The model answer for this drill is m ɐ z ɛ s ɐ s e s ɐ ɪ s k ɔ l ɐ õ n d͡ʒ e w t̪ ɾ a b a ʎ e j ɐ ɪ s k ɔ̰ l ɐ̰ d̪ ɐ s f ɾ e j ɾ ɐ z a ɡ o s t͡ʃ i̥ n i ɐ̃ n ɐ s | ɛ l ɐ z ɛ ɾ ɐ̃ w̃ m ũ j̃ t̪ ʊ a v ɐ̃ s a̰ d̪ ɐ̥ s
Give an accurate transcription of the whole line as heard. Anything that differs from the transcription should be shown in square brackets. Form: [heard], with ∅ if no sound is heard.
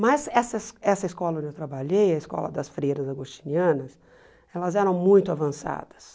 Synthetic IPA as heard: m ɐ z ɛ s ɐ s [ɛ] s ɐ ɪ s k ɔ l ɐ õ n d͡ʒ e w t̪ ɾ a b a ʎ e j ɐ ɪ s k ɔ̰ l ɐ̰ d̪ ɐ s f ɾ e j ɾ ɐ z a ɡ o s t͡ʃ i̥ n i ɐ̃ n ɐ s | ɛ l ɐ z ɛ ɾ ɐ̃ w̃ m ũ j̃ t̪ ʊ a v ɐ̃ s a̰ d̪ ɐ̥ s

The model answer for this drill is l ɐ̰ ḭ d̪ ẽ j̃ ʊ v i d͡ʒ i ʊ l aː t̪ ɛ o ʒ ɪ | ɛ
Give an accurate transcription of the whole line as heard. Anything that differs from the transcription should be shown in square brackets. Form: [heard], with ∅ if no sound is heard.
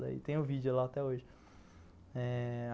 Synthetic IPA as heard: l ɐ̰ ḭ [t̪] ẽ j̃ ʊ v i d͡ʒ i ʊ l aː t̪ ɛ o ʒ ɪ | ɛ

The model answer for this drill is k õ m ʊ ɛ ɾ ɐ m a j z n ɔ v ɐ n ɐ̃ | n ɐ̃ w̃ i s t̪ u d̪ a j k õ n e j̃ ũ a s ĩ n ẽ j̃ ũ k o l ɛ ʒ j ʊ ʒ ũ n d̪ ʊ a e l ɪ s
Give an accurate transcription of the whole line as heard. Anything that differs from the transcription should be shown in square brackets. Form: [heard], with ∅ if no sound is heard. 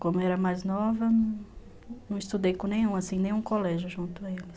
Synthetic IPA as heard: k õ m ʊ ɛ ɾ ɐ m a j z n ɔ v ɐ n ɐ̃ | n ɐ̃ w̃ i s t̪ u d̪ [e] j k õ n [ẽ] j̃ ũ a s ĩ n ẽ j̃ ũ k o l ɛ ʒ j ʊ ʒ ũ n [t̪] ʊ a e l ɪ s

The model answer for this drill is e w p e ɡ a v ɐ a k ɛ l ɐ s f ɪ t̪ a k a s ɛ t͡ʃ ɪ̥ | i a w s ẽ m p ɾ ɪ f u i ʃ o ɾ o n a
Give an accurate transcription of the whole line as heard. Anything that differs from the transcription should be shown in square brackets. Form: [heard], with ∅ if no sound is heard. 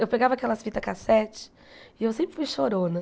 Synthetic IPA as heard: e w p e ɡ a v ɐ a k ɛ l ɐ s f [i] t̪ [ɐ] k a s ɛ t͡ʃ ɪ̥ | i [e] w s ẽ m p ɾ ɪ f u [j] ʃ o ɾ o n [ɐ]

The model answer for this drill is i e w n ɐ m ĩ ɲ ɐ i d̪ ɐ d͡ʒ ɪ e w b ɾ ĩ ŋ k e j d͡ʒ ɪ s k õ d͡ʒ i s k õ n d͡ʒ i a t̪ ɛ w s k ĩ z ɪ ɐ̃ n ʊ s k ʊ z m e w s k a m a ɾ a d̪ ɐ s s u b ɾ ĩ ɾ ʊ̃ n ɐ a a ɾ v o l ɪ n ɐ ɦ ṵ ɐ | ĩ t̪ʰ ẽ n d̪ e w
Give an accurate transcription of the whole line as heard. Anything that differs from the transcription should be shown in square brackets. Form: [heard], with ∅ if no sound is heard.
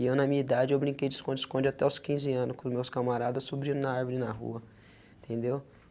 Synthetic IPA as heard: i e w n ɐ m ĩ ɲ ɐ i d̪ [a] d͡ʒ ɪ e w b ɾ ĩ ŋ k e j d͡ʒ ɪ s k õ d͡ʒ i s k õ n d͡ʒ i a t̪ ɛ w s k ĩ z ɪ ɐ̃ n ʊ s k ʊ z m e w s k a m a ɾ a d̪ ɐ s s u b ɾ ĩ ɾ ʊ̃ n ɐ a a ɾ v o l ɪ n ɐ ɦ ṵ ɐ | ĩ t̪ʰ ẽ n d̪ e w

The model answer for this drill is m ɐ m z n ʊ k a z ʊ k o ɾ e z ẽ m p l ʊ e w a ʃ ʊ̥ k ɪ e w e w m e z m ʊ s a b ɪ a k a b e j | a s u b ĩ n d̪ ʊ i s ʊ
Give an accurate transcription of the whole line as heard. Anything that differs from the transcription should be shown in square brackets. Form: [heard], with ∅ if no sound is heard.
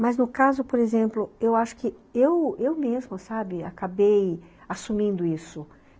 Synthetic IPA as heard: m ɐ [∅] z n ʊ k a z ʊ [p] o ɾ e z ẽ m p l ʊ e w a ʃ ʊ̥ k ɪ e w e w m e z m ʊ s a b ɪ a k a b e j | a s u [m] ĩ n d̪ ʊ i s ʊ

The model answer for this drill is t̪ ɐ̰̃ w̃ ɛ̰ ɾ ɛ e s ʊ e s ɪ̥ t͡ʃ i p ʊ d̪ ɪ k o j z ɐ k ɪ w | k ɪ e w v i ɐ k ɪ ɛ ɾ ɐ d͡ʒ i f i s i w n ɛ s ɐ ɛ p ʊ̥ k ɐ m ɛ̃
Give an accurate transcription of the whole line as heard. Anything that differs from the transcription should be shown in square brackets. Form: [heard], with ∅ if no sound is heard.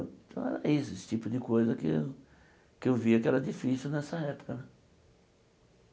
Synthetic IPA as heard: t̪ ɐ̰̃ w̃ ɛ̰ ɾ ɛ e s ʊ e s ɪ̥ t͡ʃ i p ʊ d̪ ɪ k o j z ɐ k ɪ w | k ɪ e w v i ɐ k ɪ ɛ ɾ ɐ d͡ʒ i f i s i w n ɛ s ɐ ɛ p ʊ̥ k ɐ [n] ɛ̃

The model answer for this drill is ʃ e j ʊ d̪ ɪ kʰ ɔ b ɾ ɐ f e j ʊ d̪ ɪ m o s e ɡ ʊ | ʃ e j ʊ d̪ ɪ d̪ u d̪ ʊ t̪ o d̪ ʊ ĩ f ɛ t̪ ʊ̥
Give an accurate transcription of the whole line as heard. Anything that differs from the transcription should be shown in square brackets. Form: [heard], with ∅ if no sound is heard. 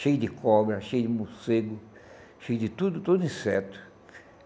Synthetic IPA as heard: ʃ e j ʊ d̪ ɪ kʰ ɔ b ɾ ɐ [ʃ] e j ʊ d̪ ɪ m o s e ɡ ʊ | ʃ e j ʊ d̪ ɪ [t̪] u d̪ ʊ t̪ o d̪ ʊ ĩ [s] ɛ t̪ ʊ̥

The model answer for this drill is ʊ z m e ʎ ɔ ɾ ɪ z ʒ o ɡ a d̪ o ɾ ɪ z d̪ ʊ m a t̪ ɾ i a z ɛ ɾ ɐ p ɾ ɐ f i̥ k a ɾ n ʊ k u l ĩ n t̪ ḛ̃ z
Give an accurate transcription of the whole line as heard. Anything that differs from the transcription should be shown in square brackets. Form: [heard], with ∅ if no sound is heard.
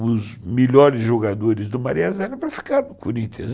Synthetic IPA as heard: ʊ z m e ʎ ɔ ɾ ɪ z ʒ o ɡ a d̪ o ɾ ɪ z d̪ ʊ m a [∅] ɾ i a z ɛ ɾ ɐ p ɾ ɐ f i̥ k a ɾ n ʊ k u [ɾ] ĩ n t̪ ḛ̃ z

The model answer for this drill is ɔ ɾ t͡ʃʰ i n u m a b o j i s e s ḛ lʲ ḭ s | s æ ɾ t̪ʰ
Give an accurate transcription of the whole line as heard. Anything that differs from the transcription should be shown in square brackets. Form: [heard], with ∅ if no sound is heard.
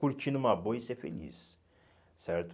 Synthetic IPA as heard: [u] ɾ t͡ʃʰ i n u m a b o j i s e [f] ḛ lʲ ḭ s | s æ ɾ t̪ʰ

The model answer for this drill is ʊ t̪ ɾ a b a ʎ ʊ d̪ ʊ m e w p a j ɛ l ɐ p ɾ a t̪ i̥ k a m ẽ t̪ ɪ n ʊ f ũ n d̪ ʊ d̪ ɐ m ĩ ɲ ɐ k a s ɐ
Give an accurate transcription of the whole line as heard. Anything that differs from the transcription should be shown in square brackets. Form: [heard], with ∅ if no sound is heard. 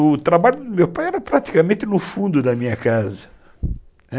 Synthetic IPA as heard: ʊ t̪ ɾ a b a ʎ ʊ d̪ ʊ m e w p a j ɛ [ɾ] ɐ p ɾ a t̪ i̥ k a m ẽ t̪ ɪ n ʊ f ũ n d̪ ʊ d̪ ɐ m ĩ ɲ ɐ k a [z] ɐ

